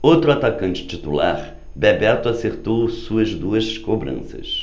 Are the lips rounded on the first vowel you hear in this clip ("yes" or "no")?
yes